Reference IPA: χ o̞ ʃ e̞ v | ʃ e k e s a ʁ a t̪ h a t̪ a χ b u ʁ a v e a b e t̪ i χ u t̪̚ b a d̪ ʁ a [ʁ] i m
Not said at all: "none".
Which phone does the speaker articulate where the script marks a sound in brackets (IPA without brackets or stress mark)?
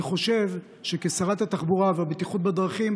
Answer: χ